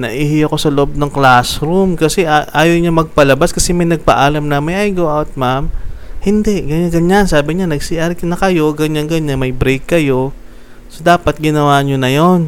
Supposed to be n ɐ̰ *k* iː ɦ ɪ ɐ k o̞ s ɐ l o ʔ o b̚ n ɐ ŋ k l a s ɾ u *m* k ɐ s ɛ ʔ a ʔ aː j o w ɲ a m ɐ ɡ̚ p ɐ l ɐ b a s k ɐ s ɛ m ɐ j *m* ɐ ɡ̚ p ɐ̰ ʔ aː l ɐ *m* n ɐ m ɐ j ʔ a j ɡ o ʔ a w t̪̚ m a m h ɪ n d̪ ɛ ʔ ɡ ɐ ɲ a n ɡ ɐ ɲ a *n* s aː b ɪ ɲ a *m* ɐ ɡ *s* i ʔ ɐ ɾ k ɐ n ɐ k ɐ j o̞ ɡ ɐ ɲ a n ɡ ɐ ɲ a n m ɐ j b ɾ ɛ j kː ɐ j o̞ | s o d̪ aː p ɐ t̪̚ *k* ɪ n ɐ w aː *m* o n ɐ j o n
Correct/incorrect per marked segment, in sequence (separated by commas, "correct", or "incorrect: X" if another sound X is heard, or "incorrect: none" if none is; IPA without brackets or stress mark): incorrect: ʔ, correct, incorrect: n, correct, correct, incorrect: n, correct, incorrect: ɡ, incorrect: ɲ